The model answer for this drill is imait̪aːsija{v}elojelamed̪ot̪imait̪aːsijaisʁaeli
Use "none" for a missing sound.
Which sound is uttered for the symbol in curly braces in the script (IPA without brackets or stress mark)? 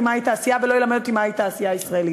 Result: v